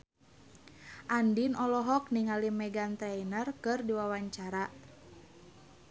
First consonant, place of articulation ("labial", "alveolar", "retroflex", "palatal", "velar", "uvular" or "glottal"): glottal